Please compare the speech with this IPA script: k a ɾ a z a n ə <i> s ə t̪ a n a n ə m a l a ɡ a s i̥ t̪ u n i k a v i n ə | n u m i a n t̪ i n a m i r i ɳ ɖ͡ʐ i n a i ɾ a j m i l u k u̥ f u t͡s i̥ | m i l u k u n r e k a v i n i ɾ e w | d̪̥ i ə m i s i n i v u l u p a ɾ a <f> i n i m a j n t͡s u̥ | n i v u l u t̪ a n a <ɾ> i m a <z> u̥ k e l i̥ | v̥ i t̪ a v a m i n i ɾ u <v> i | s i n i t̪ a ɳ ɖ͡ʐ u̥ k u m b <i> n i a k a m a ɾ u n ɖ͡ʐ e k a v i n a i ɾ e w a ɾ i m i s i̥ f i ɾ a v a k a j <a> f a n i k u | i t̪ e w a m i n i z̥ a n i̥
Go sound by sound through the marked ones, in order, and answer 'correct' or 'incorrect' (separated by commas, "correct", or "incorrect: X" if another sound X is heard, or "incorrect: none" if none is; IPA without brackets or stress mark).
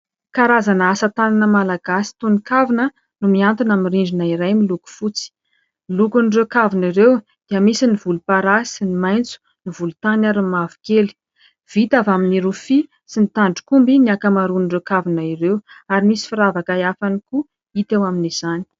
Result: incorrect: a, incorrect: s, correct, incorrect: v, incorrect: f, correct, correct